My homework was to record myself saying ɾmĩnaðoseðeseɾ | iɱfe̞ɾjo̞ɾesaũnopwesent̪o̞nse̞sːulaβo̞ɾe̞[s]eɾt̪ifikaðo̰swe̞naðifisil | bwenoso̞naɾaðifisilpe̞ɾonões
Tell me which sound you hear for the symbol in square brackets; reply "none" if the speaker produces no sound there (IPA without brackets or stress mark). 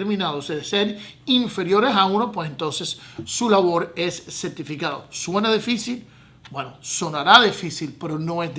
sː